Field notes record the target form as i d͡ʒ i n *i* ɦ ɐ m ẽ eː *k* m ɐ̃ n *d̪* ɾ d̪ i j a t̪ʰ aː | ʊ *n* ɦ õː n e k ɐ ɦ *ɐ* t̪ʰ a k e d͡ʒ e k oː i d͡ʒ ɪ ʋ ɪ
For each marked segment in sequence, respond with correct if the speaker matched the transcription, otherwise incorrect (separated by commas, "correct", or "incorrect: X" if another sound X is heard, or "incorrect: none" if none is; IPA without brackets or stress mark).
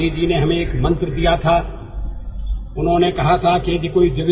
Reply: incorrect: e, correct, incorrect: t̪, correct, incorrect: a